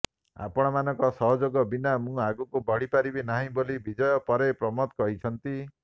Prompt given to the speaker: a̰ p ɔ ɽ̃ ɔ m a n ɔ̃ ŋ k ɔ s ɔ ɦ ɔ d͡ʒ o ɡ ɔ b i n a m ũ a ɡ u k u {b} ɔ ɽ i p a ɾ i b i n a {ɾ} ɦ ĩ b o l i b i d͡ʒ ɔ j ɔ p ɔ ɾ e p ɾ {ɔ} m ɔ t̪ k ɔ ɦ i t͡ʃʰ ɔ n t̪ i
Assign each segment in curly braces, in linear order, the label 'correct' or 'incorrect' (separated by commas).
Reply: correct, incorrect, correct